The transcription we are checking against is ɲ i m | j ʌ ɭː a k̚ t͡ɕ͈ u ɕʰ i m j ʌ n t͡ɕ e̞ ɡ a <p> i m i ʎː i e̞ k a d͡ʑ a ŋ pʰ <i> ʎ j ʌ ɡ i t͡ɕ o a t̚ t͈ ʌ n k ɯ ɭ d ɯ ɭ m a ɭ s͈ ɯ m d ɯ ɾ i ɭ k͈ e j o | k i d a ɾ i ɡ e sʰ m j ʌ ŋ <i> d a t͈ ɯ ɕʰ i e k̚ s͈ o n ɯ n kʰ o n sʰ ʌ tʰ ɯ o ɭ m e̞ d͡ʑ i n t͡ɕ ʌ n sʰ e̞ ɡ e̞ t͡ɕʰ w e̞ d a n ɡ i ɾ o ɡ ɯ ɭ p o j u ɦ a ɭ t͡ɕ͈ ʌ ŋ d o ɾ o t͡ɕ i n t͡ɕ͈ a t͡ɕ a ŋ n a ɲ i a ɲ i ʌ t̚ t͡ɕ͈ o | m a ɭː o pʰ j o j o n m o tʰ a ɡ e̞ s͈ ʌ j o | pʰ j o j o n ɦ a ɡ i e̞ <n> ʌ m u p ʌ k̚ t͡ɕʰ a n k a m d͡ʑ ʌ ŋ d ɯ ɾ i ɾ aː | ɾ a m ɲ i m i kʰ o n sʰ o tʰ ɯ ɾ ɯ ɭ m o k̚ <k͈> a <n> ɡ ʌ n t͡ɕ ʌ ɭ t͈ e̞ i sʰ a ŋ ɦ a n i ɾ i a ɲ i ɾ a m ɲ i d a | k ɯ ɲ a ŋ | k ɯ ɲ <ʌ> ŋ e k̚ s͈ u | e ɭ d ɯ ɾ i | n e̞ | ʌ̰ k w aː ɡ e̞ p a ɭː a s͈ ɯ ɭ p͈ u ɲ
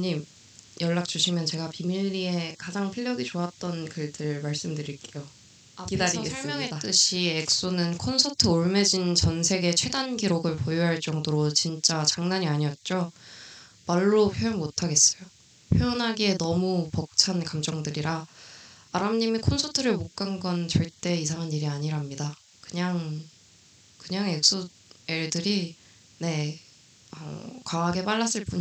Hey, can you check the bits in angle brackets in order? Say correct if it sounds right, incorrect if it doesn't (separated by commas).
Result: correct, correct, incorrect, correct, correct, correct, incorrect